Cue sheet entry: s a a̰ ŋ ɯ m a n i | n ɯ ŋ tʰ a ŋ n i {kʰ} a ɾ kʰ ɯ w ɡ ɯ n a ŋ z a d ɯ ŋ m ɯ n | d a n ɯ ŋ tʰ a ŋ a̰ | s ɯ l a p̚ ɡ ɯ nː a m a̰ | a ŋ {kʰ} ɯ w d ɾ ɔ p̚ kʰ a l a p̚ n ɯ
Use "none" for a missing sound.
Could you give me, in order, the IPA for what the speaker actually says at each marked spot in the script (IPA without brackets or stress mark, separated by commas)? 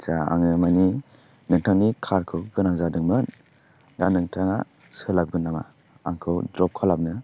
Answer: kʰ, kʰ